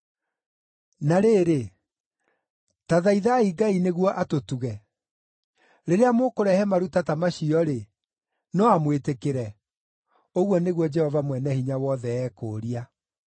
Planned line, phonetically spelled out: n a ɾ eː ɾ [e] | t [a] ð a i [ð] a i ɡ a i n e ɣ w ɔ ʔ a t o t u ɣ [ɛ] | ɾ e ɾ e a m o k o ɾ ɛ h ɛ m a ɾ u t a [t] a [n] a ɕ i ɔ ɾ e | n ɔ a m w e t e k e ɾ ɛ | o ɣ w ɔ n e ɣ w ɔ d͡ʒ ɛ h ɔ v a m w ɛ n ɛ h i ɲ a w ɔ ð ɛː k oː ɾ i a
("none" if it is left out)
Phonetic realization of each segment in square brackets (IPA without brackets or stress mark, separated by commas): e, a, ð, ɛ, t, m